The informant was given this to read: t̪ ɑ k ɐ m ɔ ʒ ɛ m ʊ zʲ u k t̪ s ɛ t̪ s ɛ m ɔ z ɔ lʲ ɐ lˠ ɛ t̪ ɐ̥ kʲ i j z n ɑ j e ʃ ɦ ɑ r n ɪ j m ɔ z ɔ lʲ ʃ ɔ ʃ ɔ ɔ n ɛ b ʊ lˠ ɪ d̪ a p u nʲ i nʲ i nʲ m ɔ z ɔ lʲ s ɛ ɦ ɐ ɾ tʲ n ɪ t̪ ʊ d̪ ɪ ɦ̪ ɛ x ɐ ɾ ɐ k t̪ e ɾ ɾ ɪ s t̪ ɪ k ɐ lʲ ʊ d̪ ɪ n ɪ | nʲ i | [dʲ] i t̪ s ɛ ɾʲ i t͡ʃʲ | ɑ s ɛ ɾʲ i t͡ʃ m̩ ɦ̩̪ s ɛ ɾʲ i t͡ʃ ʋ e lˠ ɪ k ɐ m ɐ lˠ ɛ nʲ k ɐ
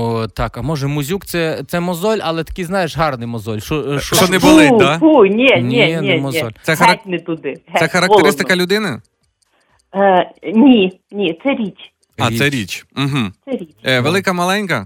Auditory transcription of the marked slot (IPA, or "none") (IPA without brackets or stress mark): nʲ